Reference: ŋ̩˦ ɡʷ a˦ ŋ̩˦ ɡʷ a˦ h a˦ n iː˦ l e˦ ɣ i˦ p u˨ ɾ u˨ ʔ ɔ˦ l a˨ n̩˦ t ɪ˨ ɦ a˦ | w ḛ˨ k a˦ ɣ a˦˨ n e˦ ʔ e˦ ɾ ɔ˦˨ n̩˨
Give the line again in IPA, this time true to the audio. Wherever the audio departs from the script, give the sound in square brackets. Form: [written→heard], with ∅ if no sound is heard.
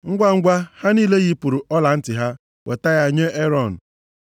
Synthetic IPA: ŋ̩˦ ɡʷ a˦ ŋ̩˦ ɡʷ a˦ h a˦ n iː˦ l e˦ ɣ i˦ p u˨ ɾ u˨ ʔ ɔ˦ l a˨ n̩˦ t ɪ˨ ɦ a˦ | w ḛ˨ [k→t] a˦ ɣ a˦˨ [n→ɲ] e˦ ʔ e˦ ɾ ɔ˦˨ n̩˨